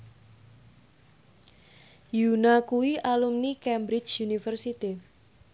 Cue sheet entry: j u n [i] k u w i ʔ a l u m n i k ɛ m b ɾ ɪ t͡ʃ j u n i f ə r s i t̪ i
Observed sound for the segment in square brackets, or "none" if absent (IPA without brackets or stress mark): a